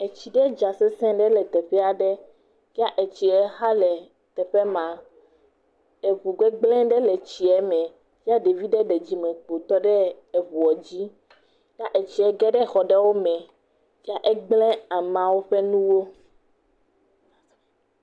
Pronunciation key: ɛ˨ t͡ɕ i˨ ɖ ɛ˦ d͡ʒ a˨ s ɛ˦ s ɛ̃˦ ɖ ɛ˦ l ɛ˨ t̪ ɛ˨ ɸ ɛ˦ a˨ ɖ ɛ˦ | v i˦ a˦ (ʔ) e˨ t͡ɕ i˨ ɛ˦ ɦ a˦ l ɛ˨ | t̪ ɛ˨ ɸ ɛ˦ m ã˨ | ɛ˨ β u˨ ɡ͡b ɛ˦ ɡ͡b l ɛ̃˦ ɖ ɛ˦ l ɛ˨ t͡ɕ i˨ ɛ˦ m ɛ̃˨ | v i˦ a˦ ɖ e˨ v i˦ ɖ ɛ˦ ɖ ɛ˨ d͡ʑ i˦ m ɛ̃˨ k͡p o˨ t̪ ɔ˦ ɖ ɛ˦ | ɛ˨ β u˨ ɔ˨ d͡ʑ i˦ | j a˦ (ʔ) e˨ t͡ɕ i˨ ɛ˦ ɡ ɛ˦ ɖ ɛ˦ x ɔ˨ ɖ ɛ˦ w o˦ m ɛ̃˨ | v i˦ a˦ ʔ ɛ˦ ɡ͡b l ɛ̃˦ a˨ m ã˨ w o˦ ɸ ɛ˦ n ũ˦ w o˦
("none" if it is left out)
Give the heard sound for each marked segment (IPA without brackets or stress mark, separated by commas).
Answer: ʔ, ʔ